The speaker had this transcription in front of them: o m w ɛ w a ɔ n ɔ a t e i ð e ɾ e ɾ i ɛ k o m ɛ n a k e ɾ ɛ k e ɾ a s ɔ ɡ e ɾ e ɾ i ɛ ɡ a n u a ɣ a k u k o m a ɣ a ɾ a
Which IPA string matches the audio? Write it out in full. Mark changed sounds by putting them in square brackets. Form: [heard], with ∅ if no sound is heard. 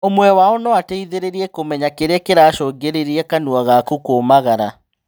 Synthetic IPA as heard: o m w ɛ w a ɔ n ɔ a t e i ð e ɾ e ɾ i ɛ k o m ɛ [ɲ] a k e ɾ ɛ k e ɾ a [ʃ] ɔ ɡ e ɾ e ɾ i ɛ [k] a n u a ɣ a k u k o m a ɣ a ɾ a